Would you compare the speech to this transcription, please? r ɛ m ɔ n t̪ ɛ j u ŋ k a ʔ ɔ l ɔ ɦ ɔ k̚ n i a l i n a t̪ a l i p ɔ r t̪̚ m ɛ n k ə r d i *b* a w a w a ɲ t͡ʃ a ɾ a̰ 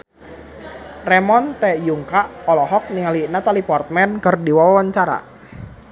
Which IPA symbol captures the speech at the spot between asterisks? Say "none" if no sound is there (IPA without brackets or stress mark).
w